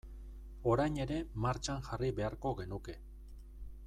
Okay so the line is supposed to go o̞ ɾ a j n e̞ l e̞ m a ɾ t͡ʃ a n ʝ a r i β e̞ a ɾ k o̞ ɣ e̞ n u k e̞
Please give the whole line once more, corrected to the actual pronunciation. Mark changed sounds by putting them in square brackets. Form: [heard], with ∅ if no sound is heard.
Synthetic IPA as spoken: o̞ ɾ a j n e̞ [ɾ] e̞ m a ɾ t͡ʃ a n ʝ a r i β e̞ a ɾ k o̞ ɣ e̞ n u k e̞